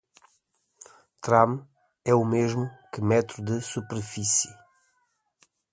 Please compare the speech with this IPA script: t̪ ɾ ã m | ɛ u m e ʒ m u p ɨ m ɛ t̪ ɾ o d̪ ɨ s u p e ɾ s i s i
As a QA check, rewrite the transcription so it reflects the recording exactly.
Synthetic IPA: t̪ ɾ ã m | ɛ u m e ʒ m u k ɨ m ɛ t̪ ɾ u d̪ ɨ s u p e ɾ f i s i